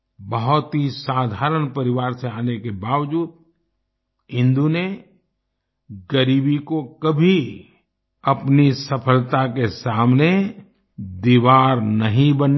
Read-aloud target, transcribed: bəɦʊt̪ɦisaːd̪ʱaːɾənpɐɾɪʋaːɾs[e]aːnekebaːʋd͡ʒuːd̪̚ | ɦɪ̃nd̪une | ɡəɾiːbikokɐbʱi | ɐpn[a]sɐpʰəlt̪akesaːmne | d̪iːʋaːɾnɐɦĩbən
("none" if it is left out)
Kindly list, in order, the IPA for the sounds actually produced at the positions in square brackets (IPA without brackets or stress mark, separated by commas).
e, i